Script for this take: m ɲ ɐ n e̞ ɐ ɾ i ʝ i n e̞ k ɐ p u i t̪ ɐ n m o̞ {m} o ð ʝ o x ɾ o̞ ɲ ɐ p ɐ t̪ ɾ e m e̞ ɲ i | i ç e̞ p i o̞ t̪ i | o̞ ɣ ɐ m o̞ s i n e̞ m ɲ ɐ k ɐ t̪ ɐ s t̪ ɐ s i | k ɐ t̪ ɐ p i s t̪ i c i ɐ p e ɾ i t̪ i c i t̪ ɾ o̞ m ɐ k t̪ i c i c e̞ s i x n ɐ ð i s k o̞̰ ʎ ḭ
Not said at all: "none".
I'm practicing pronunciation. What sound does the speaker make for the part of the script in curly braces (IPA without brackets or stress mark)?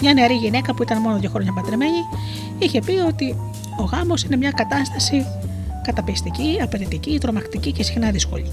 n